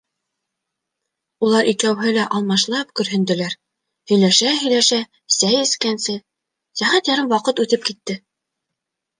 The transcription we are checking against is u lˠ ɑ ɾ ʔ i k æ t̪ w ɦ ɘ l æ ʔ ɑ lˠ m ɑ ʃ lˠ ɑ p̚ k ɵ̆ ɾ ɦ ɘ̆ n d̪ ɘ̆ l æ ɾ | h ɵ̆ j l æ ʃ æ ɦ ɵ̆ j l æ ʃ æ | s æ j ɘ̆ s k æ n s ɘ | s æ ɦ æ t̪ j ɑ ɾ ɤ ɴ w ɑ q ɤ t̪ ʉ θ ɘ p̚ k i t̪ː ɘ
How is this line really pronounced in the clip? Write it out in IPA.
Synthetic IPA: u lˠ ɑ ɾ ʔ i k æ w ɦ ɘ l æ ʔ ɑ lˠ m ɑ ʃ lˠ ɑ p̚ k ɵ̆ ɾ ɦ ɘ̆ n d̪ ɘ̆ l æ ɾ | h ɵ̆ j l æ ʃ æ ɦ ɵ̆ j l æ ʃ æ | s æ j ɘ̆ s k æ n s ɘ | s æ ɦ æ t̪ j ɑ ɾ ɤ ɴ w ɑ q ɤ t̪ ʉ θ ɘ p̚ k i t̪ː ɘ